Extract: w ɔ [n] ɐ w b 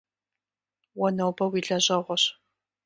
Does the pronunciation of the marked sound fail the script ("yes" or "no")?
no